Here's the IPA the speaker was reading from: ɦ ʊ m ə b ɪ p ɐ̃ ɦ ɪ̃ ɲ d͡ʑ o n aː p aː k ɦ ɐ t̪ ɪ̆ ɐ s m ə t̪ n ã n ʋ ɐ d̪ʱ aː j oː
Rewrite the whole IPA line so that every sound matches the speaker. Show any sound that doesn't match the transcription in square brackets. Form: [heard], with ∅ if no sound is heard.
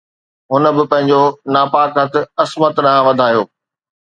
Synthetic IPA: ɦ ʊ [n] ə b ɪ p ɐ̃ ɦ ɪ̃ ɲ d͡ʑ o n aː p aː k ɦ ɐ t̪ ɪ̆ ɐ s m ə t̪ n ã [∅] ʋ ɐ d̪ʱ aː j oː